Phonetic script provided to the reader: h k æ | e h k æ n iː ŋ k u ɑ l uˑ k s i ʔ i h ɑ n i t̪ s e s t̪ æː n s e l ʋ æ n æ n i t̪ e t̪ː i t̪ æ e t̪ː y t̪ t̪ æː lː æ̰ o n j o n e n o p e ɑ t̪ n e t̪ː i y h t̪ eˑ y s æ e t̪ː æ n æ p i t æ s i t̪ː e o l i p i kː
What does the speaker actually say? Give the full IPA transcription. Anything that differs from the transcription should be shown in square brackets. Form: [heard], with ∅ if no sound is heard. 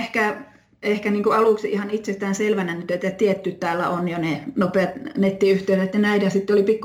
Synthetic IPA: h k æ | e h k æ n iː ŋ k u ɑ l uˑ k s i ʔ i h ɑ n i t̪ s e s t̪ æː n s e l ʋ æ n æ n [y] t̪ e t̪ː [æ] t̪ [i] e t̪ː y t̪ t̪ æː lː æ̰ o n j o n e n o p e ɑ t̪ n e t̪ː i y h t̪ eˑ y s æ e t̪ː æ n æ [∅] i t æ s i t̪ː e o l i p i kː